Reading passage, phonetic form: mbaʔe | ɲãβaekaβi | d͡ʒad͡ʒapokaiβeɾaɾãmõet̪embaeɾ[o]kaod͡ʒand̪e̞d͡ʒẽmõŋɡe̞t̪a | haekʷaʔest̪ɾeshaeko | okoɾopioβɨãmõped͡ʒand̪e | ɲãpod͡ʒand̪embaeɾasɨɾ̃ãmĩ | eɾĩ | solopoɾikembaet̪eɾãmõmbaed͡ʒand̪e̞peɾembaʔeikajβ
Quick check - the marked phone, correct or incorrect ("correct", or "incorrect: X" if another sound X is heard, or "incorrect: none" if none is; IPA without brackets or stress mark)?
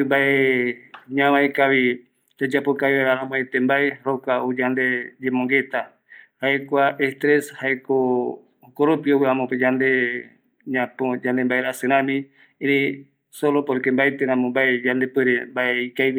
correct